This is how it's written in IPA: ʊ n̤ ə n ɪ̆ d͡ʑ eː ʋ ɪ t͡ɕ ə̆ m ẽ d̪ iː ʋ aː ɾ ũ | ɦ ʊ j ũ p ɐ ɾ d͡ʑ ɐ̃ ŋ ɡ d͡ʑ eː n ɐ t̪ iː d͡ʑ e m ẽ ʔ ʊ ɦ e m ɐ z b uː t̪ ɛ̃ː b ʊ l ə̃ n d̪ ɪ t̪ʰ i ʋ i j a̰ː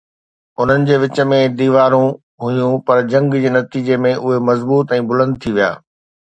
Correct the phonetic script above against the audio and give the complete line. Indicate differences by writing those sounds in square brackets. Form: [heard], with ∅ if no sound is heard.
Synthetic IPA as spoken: ʊ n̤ ə n ɪ̆ d͡ʑ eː ʋ ɪ t͡ɕ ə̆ m ẽ d̪ iː ʋ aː ɾ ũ | ɦ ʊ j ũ p ɐ ɾ d͡ʑ ɐ̃ ŋ ɡ d͡ʑ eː n ɐ t̪ iː d͡ʑ e m ẽ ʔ ʊ ɦ e m ɐ z b uː t̪ ɛ̃ː b ʊ l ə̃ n d̪ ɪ t̪ʰ i ʋ i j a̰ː